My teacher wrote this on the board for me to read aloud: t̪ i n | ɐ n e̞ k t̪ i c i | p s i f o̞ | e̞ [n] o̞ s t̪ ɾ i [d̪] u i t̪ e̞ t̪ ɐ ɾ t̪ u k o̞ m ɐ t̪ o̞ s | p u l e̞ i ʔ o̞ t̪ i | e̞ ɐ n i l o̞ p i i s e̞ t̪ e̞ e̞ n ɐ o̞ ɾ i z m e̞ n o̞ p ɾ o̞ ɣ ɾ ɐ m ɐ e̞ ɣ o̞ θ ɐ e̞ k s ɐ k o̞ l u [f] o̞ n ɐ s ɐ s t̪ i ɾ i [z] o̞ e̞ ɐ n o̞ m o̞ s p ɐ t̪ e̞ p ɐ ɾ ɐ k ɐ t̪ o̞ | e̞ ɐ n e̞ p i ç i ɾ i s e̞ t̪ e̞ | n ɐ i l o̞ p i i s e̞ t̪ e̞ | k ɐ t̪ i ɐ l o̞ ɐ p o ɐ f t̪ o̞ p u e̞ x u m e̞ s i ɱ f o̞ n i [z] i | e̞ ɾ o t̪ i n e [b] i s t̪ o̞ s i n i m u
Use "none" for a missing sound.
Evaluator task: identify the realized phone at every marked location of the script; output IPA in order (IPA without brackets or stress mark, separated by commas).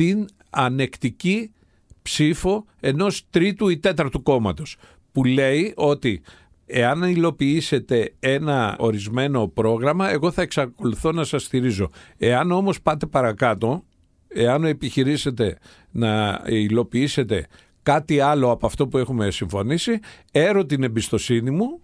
n, t̪, θ, z, s, b